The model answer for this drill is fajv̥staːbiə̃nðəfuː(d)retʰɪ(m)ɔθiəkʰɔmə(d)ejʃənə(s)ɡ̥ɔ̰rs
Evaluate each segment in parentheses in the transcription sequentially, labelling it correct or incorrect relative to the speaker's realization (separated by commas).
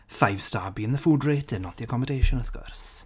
correct, incorrect, correct, incorrect